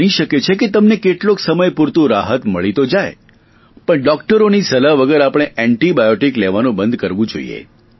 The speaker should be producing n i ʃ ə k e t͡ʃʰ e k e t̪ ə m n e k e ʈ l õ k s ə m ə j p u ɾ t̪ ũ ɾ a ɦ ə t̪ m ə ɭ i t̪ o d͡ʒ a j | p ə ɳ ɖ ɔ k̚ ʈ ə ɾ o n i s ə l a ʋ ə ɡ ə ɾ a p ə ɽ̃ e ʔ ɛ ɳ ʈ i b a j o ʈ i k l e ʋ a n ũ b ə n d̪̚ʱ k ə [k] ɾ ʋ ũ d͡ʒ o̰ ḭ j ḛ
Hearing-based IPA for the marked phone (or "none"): none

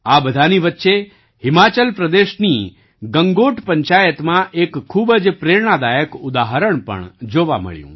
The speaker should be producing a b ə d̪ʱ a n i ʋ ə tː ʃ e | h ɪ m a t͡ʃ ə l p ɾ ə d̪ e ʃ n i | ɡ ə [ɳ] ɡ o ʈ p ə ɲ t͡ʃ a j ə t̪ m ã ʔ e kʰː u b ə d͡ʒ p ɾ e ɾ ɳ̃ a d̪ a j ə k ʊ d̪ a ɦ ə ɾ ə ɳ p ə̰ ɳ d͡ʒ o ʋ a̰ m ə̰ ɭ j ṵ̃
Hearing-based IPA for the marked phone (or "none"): ŋ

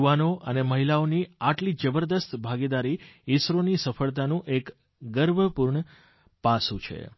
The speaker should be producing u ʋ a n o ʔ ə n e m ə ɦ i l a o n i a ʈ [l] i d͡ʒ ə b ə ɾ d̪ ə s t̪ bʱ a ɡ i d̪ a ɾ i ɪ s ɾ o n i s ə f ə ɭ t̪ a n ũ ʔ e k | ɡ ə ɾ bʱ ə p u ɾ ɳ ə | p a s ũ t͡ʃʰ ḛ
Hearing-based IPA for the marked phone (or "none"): l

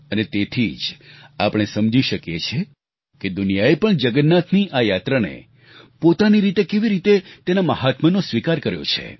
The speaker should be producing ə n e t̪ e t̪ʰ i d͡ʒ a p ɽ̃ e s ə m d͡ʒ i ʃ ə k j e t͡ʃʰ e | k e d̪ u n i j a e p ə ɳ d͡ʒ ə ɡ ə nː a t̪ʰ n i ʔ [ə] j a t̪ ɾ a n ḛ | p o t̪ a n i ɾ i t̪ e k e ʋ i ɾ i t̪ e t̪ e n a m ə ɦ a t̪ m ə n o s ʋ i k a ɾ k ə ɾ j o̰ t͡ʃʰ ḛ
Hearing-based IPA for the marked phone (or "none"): a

